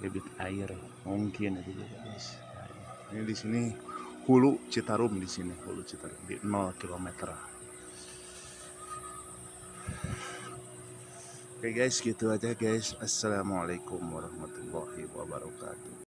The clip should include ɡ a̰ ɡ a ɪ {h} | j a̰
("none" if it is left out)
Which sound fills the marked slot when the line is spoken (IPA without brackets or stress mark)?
s